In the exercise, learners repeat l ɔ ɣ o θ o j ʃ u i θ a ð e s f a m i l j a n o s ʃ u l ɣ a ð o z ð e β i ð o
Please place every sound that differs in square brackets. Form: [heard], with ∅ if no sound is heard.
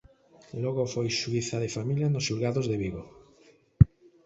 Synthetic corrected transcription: l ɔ ɣ o [f] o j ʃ u i θ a ð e [∅] f a m i l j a n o s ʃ u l ɣ a ð o z ð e β i [ɣ] o